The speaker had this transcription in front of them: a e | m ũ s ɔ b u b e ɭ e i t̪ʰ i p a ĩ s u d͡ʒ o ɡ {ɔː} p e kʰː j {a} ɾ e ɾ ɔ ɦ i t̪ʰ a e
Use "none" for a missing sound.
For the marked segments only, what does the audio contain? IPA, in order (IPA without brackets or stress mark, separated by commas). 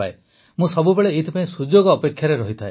ɔː, a